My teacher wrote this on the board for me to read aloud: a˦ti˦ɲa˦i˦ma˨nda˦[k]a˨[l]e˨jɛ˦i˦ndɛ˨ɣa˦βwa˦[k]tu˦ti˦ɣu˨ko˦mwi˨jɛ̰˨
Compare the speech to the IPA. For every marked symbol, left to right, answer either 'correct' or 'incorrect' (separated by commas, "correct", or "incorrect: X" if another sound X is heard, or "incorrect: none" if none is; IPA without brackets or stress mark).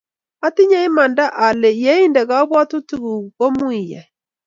incorrect: ʔ, correct, incorrect: none